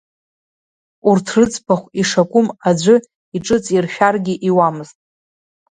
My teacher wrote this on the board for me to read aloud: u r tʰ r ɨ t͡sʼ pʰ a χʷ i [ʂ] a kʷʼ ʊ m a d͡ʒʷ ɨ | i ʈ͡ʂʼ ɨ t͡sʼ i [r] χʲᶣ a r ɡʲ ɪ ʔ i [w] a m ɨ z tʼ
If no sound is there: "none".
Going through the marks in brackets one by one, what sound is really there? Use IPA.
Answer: ʂ, r, w

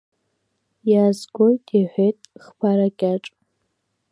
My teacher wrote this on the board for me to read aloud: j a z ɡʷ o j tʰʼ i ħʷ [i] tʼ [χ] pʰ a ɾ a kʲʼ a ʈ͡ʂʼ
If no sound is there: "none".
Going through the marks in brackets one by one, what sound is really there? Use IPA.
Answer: e, χ

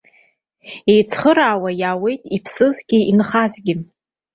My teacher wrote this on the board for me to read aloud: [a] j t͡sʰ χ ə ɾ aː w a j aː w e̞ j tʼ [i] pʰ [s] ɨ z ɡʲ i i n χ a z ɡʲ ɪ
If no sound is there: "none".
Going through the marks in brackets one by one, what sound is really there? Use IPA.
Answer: e, i, s

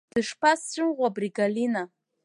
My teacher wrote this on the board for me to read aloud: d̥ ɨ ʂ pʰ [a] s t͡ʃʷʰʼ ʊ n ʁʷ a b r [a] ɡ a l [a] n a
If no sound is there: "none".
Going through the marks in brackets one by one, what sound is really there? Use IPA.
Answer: a, i, i

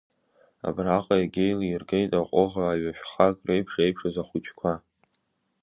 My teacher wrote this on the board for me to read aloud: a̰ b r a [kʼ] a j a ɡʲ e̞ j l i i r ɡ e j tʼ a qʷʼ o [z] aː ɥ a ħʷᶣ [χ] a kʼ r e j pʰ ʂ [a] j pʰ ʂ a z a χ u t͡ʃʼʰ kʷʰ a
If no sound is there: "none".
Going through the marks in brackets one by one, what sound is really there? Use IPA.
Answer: qʼ, ʁ, χ, e

